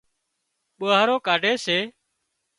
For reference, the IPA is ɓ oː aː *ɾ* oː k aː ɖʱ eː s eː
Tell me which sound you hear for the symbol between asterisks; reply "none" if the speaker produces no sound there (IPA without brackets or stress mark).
ɾ